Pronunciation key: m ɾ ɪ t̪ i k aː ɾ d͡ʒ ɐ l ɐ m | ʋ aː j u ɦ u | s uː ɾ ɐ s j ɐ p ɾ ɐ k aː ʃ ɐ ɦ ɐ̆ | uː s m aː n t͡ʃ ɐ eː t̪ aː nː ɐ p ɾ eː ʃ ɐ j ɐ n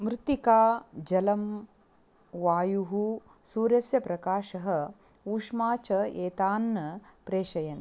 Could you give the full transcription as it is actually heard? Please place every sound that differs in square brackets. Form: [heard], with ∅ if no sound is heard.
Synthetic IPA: m ɾ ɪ t̪ i k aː [∅] d͡ʒ ɐ l ɐ m | ʋ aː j u ɦ u | s uː ɾ ɐ s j ɐ p ɾ ɐ k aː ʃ ɐ ɦ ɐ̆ | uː [ʂ] m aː [∅] t͡ʃ ɐ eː t̪ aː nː ɐ p ɾ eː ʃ ɐ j ɐ n